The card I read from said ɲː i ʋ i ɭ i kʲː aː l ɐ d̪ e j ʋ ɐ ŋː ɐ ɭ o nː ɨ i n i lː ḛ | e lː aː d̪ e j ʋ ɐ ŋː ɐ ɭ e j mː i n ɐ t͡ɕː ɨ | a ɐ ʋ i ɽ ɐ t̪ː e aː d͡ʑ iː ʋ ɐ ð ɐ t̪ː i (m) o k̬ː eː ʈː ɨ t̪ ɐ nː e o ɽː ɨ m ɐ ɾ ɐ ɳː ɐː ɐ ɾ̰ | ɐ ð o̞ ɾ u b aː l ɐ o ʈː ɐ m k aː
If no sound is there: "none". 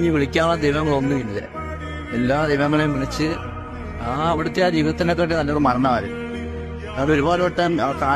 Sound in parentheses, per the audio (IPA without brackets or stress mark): n